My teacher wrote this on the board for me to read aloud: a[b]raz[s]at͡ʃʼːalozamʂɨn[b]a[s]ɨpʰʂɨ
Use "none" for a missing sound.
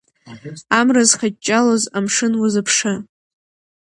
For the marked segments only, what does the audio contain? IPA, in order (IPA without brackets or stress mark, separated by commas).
m, χ, w, z